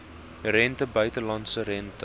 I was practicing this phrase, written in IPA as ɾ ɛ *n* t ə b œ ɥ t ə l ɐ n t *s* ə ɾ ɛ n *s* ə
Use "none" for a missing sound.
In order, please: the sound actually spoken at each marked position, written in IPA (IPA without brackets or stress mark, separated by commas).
n, s, t